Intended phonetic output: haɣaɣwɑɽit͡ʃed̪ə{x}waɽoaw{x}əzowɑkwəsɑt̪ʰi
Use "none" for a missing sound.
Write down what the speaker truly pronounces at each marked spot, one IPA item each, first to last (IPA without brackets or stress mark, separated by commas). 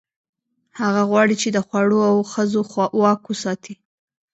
x, x